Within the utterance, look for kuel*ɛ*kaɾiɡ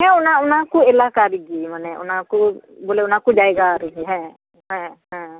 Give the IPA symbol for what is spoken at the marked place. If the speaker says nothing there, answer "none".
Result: a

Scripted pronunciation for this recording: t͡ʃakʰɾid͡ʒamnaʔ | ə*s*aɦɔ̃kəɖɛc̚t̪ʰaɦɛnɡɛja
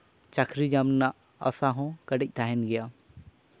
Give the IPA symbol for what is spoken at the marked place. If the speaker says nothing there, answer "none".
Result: s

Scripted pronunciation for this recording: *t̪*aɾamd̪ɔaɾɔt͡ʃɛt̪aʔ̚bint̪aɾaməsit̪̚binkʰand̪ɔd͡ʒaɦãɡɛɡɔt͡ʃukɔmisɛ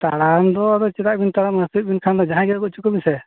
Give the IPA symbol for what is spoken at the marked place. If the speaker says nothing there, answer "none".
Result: t̪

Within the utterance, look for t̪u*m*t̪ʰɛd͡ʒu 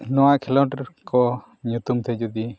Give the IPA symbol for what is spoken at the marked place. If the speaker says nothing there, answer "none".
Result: m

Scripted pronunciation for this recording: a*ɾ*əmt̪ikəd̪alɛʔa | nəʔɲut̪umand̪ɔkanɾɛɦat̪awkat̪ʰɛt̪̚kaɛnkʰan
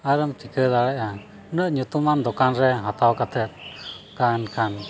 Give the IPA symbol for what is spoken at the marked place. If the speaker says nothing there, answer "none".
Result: ɾ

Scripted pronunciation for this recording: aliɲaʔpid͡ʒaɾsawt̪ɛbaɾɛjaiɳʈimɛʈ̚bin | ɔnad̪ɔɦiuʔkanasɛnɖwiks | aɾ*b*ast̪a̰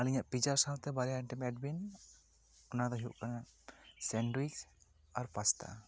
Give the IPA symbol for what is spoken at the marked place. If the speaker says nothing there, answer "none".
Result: p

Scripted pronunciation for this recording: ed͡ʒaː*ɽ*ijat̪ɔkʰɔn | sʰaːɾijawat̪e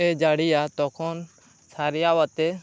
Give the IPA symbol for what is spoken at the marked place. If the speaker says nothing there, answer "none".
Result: ɽ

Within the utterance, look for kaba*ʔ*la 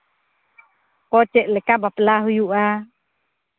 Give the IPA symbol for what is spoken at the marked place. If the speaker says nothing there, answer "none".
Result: p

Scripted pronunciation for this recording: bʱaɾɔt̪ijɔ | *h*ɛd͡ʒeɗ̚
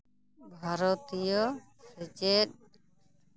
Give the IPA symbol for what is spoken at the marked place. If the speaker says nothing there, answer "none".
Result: s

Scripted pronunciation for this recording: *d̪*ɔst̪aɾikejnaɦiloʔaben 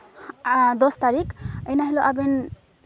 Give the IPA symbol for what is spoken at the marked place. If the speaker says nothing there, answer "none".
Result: d̪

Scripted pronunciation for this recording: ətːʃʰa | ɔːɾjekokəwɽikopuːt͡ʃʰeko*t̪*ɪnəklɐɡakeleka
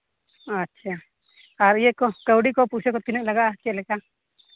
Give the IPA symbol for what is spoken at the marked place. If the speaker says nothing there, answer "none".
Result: t̪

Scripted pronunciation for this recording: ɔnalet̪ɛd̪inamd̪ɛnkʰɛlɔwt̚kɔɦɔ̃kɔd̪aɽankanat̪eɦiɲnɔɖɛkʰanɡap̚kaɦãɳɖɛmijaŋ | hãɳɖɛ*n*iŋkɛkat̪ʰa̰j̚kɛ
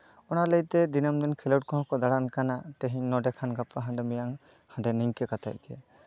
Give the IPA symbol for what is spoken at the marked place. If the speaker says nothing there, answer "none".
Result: n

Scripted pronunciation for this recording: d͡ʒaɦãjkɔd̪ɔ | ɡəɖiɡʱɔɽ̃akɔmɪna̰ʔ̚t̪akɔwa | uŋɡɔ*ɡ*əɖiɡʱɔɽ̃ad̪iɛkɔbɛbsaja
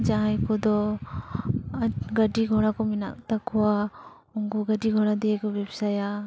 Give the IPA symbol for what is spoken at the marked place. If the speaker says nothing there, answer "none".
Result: ɡ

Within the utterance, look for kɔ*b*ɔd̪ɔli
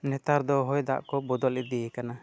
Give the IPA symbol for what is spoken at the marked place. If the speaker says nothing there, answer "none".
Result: b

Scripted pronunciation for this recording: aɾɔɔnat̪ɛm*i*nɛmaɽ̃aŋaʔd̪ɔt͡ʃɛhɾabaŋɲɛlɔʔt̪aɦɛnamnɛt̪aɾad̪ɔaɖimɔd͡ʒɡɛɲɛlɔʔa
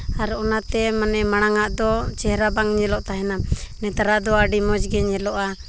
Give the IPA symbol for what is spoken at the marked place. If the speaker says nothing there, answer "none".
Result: a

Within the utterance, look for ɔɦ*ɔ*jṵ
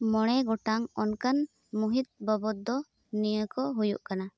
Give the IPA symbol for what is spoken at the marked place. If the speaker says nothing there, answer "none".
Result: u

